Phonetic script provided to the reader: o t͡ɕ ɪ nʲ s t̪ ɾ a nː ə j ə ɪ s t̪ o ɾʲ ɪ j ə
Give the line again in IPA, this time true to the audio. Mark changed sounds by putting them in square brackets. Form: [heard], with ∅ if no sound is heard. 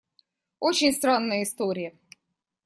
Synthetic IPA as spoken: o t͡ɕ ɪ nʲ s t̪ ɾ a nː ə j ə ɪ s t̪ o ɾʲ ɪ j ə